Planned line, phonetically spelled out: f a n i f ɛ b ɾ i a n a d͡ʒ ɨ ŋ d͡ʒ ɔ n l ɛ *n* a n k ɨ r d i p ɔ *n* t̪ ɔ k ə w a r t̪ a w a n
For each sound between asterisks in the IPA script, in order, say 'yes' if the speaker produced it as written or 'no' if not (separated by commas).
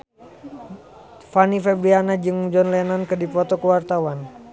yes, no